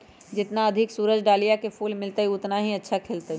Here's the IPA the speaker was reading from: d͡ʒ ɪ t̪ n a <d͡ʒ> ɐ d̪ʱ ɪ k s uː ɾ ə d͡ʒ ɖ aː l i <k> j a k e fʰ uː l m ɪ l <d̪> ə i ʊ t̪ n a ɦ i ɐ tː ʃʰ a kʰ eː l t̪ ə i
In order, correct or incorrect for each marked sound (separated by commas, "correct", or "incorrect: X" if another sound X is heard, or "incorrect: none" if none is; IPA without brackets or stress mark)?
incorrect: none, incorrect: none, incorrect: t̪